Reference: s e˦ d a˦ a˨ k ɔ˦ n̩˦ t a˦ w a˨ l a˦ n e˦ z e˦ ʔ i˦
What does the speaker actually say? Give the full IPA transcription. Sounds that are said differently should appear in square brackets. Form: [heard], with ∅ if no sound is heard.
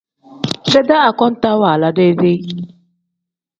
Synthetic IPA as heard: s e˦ d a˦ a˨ k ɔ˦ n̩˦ t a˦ w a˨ l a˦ [d] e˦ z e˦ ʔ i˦